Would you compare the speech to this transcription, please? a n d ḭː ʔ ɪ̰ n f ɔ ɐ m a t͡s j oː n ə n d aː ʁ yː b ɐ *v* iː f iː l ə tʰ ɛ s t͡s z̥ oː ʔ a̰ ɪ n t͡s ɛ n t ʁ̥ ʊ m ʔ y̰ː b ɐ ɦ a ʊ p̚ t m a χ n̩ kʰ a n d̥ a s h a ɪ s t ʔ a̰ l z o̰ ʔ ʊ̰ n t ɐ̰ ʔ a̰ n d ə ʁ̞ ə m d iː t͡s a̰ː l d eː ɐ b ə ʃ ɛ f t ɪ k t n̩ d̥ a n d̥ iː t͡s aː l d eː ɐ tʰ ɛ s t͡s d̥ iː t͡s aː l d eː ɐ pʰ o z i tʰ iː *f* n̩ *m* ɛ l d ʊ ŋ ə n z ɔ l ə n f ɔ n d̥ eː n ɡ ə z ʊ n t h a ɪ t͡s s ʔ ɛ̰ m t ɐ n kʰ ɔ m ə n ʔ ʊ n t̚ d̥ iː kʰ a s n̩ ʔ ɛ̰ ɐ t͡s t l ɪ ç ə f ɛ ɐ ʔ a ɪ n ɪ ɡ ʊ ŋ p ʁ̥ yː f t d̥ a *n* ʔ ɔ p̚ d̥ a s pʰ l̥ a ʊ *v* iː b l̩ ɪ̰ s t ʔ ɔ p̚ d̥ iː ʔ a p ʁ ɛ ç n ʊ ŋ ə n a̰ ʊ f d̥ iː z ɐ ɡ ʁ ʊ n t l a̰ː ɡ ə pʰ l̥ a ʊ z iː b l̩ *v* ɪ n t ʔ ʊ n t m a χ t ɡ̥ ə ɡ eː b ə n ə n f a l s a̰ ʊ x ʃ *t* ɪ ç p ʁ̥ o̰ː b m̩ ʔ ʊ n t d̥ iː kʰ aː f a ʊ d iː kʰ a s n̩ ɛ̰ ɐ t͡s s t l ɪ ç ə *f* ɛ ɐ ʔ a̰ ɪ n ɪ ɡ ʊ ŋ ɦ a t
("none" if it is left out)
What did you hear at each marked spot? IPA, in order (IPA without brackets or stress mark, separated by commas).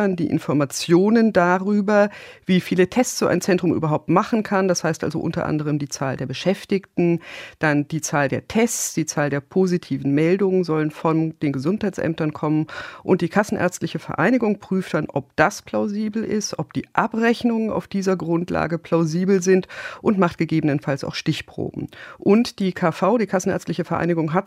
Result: v, v, m, n, z, z, t, f